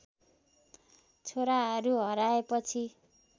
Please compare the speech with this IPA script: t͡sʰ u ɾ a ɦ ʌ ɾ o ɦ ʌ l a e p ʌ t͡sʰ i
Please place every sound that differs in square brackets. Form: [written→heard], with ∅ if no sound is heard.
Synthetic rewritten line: t͡sʰ [u→o] ɾ a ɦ ʌ ɾ [o→u] ɦ ʌ [l→ɾ] a e p ʌ t͡sʰ i